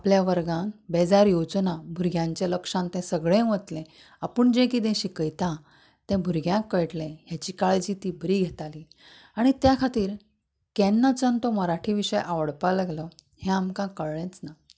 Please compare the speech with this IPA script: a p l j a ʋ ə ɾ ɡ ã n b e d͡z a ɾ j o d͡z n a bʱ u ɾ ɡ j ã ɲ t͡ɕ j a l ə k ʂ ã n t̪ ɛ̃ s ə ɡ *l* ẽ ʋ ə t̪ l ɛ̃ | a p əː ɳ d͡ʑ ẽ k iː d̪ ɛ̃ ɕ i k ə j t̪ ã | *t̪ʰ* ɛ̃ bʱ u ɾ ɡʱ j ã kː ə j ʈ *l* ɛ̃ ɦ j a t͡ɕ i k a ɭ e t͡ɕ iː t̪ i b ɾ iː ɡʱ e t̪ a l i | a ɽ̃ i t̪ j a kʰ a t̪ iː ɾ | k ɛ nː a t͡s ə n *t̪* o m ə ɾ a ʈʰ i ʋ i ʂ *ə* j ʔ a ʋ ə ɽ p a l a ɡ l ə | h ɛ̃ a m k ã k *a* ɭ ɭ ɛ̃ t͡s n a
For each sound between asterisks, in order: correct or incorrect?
incorrect: ɭ, incorrect: t̪, correct, correct, correct, incorrect: ə

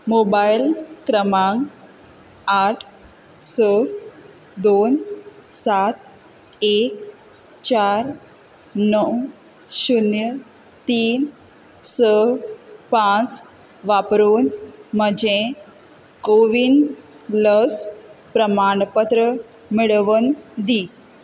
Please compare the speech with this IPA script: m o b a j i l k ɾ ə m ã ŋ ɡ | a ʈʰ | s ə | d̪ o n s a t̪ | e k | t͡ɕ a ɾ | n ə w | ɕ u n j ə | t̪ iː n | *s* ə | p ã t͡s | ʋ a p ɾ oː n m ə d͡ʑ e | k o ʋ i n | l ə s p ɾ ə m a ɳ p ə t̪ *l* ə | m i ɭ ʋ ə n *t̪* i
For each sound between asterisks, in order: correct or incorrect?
correct, incorrect: ɾ, incorrect: d̪

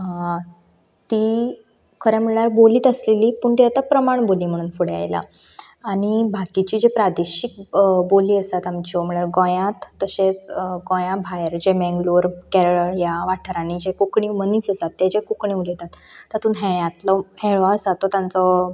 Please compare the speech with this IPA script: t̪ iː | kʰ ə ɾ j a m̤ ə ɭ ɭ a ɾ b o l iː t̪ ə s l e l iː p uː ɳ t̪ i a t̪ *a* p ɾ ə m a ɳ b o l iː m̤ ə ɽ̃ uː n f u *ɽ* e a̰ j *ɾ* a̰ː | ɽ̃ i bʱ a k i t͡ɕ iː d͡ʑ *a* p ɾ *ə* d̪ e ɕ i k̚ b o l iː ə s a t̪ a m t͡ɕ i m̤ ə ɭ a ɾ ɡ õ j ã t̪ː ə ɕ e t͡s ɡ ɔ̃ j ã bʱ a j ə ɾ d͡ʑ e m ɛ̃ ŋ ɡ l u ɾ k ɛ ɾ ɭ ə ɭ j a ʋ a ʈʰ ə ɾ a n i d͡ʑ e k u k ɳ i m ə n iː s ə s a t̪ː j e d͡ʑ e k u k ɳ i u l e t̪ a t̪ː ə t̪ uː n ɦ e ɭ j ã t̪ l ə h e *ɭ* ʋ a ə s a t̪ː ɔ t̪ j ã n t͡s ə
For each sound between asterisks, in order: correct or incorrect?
correct, correct, incorrect: l, incorrect: e, incorrect: a, correct

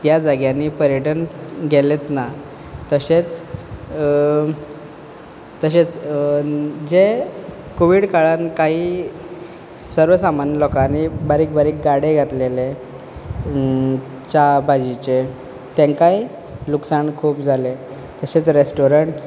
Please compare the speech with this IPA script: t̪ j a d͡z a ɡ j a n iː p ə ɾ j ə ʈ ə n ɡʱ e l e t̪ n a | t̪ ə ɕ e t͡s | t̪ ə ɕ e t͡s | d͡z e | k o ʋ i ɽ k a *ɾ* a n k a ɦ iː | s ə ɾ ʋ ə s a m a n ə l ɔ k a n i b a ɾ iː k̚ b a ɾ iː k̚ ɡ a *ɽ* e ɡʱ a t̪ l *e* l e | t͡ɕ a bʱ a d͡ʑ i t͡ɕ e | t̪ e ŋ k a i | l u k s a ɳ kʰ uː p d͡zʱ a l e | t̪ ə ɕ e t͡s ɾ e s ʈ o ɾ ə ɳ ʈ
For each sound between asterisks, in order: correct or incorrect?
incorrect: ɭ, correct, correct

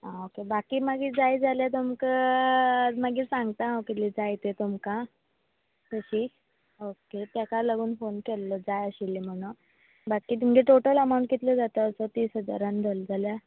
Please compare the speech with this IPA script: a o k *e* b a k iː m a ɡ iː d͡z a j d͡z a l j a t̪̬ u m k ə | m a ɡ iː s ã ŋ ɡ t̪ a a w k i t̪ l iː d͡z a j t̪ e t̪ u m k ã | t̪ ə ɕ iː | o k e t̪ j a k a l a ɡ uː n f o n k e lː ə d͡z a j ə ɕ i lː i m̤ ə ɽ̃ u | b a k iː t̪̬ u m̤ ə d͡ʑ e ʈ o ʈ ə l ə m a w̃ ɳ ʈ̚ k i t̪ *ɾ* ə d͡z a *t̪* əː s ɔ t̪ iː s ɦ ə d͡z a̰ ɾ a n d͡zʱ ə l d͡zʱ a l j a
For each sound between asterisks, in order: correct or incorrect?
correct, incorrect: l, correct

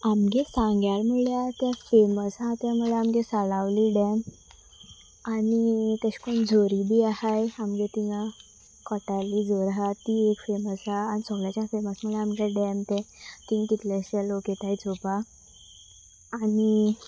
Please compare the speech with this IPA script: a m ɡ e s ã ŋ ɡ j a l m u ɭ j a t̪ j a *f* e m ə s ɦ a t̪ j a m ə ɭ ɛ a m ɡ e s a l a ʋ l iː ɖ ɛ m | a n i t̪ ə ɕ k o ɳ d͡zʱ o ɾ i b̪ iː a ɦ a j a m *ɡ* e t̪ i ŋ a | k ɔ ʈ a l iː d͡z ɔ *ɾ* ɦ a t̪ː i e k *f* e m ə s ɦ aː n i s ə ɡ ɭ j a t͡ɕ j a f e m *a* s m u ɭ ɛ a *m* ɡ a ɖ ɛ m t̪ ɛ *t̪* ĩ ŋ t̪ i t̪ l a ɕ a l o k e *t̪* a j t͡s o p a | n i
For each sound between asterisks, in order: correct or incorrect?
correct, correct, correct, correct, incorrect: ə, correct, correct, correct

